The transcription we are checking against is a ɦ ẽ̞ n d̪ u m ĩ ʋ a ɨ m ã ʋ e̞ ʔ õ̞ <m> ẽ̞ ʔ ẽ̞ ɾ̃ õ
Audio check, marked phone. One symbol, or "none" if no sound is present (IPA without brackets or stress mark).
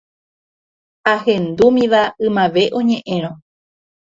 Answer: ɲ